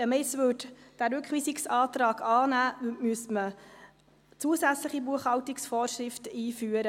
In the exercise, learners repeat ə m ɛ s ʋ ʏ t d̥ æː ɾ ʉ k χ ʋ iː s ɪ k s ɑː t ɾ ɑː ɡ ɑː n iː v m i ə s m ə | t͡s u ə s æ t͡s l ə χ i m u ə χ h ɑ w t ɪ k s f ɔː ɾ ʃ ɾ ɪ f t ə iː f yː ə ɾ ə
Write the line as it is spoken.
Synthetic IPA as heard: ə m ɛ s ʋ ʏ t d̥ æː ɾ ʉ k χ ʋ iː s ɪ k s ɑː t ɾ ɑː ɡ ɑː n æː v m y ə s m ə | t͡s u ə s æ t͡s l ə χ i b u ə χ h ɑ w t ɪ k s f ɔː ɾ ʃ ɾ ɪ f t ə iː f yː ə ɾ ə